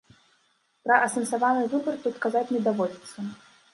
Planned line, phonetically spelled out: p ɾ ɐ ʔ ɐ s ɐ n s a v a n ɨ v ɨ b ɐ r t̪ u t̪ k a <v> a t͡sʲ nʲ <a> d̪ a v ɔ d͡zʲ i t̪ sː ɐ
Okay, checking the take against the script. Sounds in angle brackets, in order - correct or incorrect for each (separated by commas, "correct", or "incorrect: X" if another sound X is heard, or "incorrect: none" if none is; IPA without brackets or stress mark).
incorrect: z, incorrect: ɛ